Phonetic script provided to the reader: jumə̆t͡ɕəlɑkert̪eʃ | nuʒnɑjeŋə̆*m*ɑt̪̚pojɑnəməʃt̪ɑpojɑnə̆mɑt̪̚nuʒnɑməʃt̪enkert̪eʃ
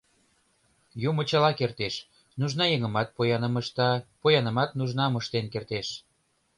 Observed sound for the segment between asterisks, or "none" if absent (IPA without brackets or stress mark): m